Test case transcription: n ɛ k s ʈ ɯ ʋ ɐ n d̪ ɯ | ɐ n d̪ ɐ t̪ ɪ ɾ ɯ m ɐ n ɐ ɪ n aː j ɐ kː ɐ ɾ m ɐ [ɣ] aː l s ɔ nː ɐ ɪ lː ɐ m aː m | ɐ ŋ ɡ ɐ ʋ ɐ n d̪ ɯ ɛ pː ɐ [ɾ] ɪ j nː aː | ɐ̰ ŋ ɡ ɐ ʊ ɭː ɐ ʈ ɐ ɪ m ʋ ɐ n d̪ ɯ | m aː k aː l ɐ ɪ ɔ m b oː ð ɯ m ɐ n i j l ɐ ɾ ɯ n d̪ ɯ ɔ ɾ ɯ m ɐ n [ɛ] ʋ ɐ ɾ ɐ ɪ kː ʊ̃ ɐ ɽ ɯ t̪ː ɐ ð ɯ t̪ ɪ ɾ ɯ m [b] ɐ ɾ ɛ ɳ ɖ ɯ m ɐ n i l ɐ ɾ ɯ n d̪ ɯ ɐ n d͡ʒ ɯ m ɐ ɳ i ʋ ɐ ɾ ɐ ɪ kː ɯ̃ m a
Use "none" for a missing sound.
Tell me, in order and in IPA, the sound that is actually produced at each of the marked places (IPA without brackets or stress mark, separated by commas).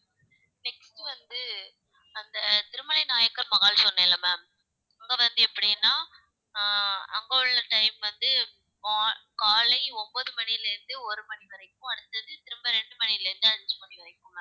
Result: ɣ, ɽ, i, b